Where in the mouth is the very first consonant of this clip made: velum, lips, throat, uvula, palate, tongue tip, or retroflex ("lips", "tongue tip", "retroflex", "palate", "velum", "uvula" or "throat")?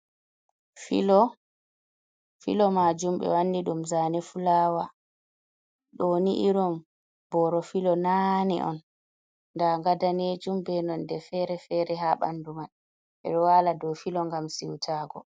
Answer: lips